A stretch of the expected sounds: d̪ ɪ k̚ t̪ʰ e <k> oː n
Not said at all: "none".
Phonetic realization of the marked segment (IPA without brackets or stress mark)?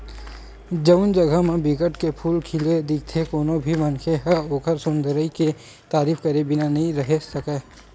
k